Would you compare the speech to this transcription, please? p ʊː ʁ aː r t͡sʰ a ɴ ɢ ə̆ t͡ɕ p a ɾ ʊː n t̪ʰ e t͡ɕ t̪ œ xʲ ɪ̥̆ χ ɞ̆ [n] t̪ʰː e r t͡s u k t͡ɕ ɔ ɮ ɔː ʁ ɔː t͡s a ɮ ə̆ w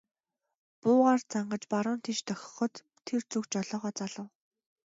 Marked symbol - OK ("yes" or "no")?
no